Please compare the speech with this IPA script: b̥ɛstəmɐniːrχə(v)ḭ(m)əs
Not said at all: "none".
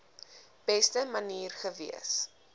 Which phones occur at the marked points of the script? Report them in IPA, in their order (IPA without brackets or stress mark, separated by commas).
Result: v, none